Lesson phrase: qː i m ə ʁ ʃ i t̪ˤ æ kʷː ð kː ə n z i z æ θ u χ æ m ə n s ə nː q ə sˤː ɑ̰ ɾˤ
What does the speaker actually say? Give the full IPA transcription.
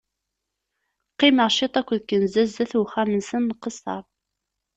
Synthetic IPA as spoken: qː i m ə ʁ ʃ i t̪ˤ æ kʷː ð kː ə n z æ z æ θ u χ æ m ə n s ə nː q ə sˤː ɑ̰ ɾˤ